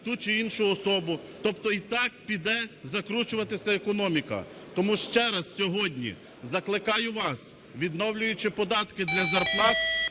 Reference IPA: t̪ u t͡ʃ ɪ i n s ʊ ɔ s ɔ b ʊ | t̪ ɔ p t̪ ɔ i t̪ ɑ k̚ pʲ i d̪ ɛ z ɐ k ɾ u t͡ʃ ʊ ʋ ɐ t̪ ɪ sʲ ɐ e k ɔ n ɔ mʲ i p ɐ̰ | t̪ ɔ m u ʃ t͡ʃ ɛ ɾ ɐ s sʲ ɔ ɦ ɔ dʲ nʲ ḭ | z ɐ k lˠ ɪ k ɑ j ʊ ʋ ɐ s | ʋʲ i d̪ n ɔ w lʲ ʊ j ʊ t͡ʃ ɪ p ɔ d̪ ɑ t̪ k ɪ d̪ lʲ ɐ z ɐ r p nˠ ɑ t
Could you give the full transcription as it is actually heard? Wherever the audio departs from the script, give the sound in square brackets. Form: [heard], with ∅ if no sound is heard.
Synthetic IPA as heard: t̪ u t͡ʃ ɪ i n [ʃ] ʊ ɔ s ɔ b ʊ | t̪ ɔ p t̪ ɔ i t̪ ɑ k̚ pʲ i d̪ ɛ z ɐ k ɾ u t͡ʃ ʊ ʋ ɐ t̪ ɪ sʲ ɐ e k ɔ n ɔ mʲ i [k] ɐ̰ | t̪ ɔ m u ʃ t͡ʃ ɛ ɾ ɐ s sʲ ɔ ɦ ɔ dʲ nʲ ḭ | z ɐ k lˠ ɪ k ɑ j ʊ ʋ [ɑ] s | ʋʲ i d̪ n ɔ w lʲ ʊ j ʊ t͡ʃ ɪ p ɔ d̪ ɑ t̪ k ɪ d̪ lʲ ɐ z ɐ r p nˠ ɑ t